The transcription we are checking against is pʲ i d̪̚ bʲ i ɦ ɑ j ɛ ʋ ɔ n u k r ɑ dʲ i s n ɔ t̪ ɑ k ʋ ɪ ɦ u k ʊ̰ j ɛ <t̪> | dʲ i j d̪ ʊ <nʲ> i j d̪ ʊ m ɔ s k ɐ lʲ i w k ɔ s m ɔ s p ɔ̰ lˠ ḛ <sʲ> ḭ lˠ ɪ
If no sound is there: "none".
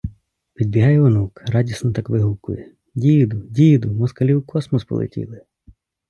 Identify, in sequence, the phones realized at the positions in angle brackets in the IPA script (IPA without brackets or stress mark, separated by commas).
none, dʲ, tʲ